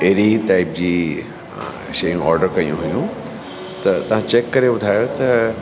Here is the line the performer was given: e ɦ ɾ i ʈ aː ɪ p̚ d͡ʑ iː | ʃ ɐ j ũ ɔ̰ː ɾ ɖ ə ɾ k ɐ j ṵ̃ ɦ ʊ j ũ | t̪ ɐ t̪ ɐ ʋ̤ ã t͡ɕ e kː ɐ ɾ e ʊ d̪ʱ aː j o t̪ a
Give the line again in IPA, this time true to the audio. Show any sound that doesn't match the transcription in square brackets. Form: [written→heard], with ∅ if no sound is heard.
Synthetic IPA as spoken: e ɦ ɾ i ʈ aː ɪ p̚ d͡ʑ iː | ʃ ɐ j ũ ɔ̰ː ɾ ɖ ə ɾ k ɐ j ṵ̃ ɦ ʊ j ũ | t̪ ɐ t̪ ɐ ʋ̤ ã t͡ɕ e kː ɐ ɾ e ʊ d̪ʱ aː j o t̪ [a→ɐ]